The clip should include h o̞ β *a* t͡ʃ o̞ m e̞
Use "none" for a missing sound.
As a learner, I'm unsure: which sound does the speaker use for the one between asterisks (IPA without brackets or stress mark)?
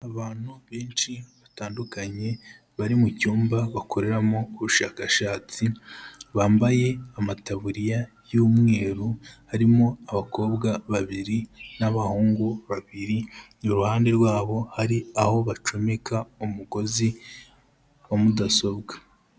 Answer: a